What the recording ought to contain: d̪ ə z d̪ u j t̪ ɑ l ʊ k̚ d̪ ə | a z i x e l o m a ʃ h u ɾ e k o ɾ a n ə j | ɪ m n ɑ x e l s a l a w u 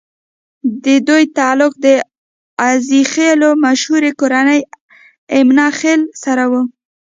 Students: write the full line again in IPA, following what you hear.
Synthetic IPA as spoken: d̪ ə d̪ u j t̪ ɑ l ʊ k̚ d̪ ə | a z i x e l o m a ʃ h u ɾ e k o ɾ a n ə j | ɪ m n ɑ x e l s a ɾ a w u